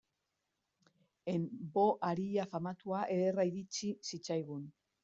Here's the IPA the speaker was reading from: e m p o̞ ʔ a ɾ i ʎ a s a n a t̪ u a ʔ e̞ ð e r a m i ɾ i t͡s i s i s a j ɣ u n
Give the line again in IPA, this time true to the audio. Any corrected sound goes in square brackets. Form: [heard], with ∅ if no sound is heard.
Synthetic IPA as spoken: e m [b] o̞ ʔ a ɾ i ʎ a [f] a [m] a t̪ u a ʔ e̞ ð e r a [∅] i ɾ i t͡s i s i [t͡s] a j ɣ u n